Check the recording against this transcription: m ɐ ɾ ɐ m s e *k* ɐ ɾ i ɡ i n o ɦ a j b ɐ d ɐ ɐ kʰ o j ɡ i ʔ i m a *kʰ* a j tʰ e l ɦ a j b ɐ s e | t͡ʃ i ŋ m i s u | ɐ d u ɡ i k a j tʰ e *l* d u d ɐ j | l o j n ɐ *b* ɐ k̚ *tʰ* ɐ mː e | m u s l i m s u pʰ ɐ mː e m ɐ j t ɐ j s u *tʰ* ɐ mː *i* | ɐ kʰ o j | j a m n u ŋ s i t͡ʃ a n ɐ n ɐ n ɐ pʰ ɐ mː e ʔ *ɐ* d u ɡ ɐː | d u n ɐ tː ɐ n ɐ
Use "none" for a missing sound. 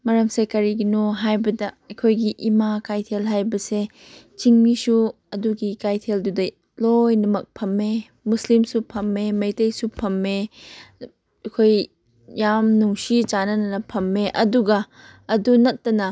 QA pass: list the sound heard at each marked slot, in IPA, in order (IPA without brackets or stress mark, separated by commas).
k, k, l, m, pʰ, pʰ, e, ɐ